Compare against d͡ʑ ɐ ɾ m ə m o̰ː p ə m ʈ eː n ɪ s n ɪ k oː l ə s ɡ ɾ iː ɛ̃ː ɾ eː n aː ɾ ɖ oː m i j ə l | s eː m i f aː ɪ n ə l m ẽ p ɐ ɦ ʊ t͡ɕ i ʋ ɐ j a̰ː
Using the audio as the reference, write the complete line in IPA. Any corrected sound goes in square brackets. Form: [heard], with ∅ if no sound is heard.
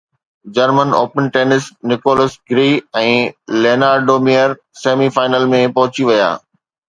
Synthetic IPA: d͡ʑ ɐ ɾ m ə [n] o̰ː p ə [n] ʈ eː n ɪ s n ɪ k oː l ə s ɡ ɾ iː ɛ̃ː [l] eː n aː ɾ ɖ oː m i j ə [ɾ] | s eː m i f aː ɪ n ə l m ẽ p ɐ ɦ ʊ t͡ɕ i ʋ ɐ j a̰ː

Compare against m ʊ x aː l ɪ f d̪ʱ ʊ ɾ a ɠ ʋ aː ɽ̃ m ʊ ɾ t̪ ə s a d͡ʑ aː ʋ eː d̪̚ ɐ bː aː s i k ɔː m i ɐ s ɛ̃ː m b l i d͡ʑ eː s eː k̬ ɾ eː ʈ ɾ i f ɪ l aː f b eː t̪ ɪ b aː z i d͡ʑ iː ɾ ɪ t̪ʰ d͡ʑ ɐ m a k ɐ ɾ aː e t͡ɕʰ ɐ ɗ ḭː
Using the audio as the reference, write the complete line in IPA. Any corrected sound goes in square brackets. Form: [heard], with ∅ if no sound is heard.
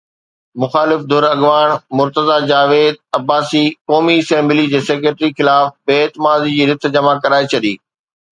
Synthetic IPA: m ʊ x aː l ɪ f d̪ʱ ʊ ɾ [ɐ] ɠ ʋ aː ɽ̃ m ʊ ɾ t̪ ə [z] a d͡ʑ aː ʋ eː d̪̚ ɐ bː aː s i k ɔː m i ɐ s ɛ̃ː m b l i d͡ʑ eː s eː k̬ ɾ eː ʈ ɾ i [x] ɪ l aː f b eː t̪ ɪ [m] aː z i d͡ʑ iː ɾ ɪ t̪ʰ d͡ʑ ɐ m a k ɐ ɾ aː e t͡ɕʰ ɐ ɗ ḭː

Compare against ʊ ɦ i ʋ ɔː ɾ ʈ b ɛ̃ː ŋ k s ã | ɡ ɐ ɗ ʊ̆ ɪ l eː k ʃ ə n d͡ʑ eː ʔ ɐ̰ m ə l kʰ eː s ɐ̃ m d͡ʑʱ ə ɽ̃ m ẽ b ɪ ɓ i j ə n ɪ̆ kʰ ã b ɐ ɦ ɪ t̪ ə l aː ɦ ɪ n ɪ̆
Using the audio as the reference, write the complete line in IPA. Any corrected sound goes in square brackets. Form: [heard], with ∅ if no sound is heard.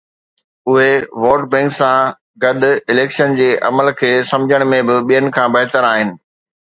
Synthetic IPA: ʊ ɦ [e] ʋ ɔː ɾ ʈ b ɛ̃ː ŋ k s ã | ɡ ɐ ɗ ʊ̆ ɪ l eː k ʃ ə n d͡ʑ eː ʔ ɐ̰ m ə l kʰ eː s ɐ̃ m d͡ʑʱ ə ɽ̃ m ẽ b ɪ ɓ i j ə n ɪ̆ kʰ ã b ɐ ɦ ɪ t̪ ə [ɾ] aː ɦ ɪ n ɪ̆

